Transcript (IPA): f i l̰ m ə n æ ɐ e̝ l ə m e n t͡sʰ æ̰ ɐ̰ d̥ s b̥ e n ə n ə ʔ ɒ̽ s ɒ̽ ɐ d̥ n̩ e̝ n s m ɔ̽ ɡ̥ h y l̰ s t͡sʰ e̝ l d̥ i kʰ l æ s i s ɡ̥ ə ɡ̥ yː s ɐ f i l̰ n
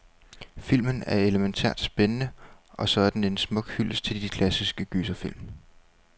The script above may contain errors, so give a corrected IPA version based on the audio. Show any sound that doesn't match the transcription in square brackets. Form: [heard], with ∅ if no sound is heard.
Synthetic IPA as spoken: f i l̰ m ə n æ ɐ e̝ l ə m e n t͡sʰ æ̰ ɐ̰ d̥ s b̥ e n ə n ə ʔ ɒ̽ s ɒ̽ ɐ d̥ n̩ e̝ n s m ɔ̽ ɡ̥ h y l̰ s t͡sʰ e̝ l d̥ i kʰ l æ s i s ɡ̥ ə ɡ̥ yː s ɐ f i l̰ [m]